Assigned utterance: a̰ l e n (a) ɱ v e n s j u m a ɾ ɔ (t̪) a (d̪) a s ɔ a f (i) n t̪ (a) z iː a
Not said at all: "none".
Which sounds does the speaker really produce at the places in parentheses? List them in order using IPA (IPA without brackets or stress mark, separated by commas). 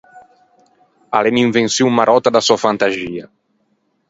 i, t̪, d̪, a, a